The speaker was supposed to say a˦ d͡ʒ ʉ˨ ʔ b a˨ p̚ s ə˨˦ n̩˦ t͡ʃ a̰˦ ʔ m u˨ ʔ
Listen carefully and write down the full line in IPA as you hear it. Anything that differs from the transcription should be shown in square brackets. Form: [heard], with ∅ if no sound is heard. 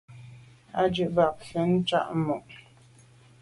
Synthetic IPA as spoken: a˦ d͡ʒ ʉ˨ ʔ b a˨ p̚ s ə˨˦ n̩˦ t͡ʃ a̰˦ ʔ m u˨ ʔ